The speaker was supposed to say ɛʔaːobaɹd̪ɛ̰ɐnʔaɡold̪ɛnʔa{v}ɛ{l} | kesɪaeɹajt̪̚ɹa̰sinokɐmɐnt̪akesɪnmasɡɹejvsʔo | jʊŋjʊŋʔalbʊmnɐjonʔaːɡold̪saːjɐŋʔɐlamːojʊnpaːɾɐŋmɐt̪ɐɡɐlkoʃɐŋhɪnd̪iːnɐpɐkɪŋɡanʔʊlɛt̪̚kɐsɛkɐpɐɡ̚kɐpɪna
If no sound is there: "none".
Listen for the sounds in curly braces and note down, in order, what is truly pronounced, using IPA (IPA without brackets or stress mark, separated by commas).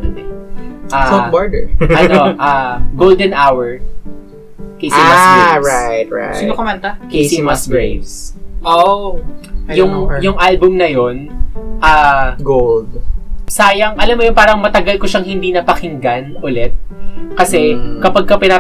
w, ɹ